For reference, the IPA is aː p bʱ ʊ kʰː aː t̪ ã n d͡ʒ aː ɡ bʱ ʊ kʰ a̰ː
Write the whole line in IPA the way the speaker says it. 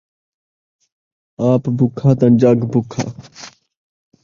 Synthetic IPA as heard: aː p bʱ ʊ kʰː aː t̪ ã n d͡ʒ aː ɡ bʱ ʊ kʰ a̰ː